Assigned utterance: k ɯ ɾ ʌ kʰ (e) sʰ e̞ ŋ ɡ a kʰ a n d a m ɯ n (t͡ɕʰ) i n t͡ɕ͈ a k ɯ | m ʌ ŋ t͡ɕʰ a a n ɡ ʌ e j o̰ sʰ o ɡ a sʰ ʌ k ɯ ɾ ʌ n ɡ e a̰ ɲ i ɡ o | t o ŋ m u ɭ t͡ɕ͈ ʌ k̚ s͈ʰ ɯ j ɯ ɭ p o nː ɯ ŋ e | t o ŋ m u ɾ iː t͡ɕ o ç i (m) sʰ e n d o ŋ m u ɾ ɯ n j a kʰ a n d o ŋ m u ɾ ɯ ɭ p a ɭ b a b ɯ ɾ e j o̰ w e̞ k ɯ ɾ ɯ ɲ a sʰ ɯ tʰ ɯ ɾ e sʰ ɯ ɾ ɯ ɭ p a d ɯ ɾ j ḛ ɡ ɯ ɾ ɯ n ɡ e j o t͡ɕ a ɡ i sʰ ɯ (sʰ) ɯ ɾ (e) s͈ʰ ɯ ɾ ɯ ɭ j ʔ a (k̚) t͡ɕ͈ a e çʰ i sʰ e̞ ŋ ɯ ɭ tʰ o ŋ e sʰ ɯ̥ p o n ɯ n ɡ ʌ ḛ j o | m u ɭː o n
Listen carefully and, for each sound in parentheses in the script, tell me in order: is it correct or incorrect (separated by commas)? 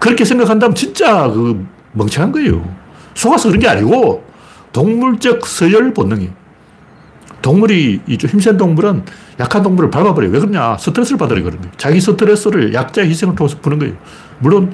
correct, incorrect, correct, incorrect, correct, correct